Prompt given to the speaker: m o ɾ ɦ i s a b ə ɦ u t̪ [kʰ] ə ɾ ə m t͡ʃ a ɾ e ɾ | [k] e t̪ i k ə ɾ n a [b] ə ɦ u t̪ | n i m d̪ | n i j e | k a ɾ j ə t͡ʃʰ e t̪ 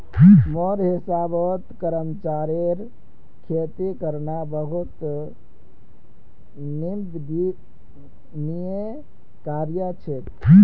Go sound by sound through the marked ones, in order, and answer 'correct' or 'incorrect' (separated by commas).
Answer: incorrect, incorrect, correct